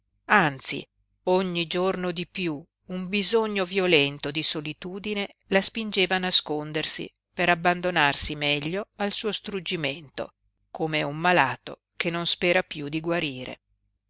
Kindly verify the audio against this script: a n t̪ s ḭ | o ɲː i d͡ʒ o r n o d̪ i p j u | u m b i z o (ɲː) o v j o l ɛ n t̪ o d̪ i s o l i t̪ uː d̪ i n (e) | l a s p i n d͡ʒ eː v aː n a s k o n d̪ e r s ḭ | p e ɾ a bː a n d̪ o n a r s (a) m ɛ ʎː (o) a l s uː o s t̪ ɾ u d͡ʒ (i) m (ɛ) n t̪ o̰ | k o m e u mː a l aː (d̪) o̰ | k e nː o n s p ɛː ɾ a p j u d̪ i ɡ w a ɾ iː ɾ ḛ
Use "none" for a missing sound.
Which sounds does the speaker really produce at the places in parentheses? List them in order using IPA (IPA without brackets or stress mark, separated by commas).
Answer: ɲː, e, i, o, i, e, t̪